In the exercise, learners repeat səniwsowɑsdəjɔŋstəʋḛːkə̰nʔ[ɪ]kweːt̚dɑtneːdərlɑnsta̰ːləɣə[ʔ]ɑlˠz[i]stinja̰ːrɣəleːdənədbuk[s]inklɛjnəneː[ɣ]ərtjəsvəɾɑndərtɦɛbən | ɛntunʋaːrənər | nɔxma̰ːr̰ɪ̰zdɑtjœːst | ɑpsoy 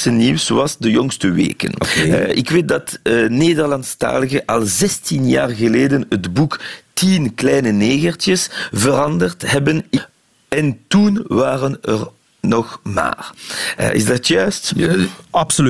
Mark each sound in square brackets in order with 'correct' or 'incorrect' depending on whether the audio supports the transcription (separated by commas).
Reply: correct, correct, incorrect, incorrect, correct